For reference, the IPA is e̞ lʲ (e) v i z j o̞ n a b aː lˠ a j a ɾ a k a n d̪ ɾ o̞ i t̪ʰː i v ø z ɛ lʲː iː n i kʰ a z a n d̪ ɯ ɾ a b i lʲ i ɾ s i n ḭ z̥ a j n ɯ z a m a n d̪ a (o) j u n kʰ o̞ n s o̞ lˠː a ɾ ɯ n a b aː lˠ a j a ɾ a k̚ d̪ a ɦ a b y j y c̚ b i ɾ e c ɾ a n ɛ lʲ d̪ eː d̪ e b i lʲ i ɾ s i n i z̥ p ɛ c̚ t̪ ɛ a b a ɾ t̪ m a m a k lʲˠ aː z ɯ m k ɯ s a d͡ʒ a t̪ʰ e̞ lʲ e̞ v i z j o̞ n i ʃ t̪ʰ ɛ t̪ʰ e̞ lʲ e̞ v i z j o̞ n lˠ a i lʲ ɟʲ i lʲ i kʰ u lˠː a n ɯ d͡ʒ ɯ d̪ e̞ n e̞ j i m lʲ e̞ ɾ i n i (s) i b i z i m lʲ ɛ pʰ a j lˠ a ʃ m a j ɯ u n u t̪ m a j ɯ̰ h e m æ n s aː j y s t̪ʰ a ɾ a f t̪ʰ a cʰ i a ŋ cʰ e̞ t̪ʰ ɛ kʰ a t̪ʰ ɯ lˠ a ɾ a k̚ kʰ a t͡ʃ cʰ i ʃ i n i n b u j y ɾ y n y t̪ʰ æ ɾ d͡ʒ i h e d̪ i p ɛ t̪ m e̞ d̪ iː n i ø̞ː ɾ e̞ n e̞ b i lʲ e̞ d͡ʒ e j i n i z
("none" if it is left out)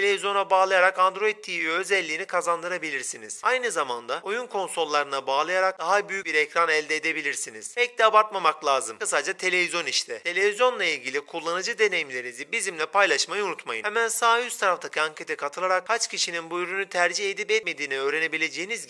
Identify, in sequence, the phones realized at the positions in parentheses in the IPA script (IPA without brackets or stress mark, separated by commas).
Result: e, o, z